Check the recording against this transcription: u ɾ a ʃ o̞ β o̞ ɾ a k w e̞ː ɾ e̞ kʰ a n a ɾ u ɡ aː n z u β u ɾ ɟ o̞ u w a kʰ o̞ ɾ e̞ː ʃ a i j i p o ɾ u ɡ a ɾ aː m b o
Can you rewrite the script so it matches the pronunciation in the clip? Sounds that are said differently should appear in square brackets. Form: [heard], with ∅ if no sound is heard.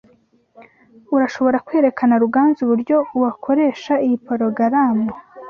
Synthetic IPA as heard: u ɾ a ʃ o̞ β o̞ ɾ a k w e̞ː ɾ e̞ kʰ a n a ɾ u ɡ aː n z u β u ɾ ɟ o̞ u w a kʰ o̞ ɾ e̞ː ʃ a i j i p o ɾ [o] ɡ a ɾ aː m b o